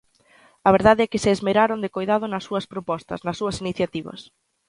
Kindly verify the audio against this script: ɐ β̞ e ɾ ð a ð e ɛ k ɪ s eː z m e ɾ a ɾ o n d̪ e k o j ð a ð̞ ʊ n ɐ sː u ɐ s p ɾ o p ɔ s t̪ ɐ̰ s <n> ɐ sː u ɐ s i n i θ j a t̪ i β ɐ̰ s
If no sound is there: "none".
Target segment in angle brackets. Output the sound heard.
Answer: n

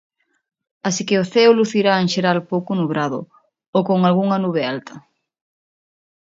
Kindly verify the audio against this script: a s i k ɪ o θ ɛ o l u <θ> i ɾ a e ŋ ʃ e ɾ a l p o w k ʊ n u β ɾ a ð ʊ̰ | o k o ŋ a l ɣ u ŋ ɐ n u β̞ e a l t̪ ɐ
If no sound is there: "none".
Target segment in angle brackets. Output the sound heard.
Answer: θ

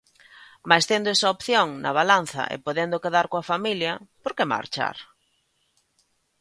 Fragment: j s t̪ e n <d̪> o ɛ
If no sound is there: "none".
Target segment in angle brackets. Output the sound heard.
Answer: d̪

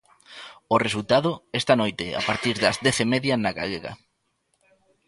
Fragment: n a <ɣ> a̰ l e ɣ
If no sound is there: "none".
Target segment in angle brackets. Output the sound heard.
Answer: ɣ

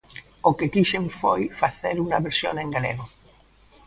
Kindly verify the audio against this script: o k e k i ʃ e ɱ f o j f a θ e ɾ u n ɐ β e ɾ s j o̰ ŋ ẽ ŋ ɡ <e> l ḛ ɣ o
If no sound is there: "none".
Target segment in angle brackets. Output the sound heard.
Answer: a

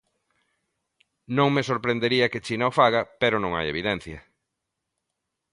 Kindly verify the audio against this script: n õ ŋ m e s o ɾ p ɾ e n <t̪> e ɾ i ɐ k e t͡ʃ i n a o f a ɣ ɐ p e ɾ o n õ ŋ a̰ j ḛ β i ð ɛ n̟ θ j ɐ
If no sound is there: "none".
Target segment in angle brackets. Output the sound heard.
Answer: d̪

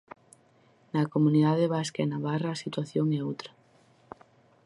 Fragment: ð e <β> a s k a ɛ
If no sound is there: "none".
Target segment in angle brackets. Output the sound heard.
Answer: β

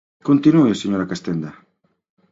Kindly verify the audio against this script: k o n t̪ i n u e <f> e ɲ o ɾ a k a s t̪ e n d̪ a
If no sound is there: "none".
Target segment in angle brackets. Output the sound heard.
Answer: s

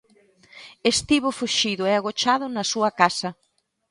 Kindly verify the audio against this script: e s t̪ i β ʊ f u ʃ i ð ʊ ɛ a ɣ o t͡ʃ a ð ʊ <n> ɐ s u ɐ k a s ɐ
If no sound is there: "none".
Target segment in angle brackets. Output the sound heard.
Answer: n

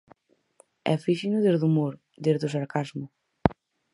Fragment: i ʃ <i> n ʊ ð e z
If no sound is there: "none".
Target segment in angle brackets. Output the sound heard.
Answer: i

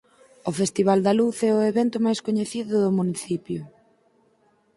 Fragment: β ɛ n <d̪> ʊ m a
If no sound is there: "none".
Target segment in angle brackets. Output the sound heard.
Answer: t̪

